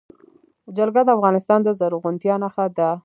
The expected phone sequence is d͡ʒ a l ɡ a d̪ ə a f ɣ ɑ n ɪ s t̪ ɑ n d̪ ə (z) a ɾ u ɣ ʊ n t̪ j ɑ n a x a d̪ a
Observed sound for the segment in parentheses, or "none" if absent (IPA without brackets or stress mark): z